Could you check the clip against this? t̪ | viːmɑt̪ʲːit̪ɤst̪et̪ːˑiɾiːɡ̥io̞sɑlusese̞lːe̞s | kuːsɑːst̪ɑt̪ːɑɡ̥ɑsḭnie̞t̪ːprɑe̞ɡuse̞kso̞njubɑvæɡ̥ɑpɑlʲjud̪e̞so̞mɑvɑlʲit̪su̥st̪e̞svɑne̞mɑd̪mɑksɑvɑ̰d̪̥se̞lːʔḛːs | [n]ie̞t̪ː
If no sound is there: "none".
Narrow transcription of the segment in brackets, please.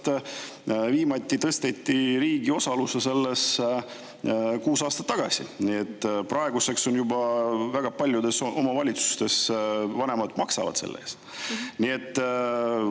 n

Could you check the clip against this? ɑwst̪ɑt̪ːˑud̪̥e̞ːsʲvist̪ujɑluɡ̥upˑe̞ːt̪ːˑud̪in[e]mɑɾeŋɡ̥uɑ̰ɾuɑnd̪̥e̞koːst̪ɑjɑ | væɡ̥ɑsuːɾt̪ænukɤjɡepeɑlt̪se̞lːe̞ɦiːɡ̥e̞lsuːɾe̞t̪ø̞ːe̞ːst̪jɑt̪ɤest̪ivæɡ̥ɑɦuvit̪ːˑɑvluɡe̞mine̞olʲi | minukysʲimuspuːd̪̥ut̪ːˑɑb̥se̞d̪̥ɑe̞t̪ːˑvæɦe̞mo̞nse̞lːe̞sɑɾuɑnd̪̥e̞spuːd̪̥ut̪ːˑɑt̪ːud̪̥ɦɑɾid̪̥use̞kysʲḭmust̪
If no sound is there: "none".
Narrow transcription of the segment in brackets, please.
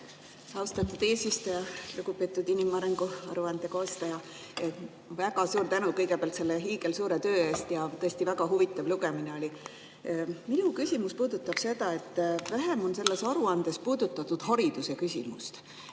i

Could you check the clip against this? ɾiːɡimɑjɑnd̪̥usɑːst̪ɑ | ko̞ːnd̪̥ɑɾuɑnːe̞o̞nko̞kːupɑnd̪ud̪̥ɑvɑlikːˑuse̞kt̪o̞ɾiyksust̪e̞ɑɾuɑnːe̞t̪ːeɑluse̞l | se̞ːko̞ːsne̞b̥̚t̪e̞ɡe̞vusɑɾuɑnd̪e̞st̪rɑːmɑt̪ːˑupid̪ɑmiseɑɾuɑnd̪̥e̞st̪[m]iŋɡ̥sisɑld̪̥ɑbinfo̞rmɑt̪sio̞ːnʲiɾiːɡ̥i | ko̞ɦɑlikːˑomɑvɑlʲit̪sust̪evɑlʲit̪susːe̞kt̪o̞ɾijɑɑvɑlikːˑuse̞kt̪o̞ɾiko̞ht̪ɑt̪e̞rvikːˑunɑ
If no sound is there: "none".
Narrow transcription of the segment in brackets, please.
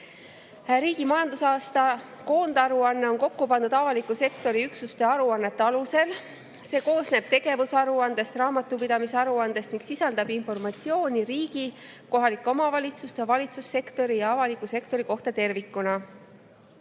n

